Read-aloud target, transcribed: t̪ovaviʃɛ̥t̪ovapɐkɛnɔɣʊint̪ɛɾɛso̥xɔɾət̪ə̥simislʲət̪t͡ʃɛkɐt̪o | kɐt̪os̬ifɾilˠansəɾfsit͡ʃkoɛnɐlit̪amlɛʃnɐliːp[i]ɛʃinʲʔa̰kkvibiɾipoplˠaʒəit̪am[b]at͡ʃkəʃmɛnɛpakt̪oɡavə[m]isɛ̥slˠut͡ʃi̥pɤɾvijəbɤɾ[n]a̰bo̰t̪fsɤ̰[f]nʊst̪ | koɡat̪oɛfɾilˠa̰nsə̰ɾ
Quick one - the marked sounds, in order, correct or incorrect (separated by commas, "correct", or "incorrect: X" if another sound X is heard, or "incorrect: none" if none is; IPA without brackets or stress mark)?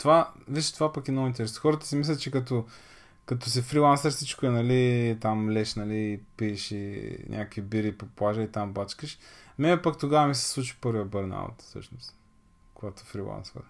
correct, correct, correct, correct, incorrect: ʃ